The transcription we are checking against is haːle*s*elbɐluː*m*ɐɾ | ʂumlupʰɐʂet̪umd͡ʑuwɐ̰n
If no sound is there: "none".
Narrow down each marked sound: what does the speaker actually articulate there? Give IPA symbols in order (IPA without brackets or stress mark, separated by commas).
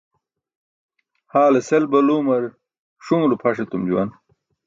s, m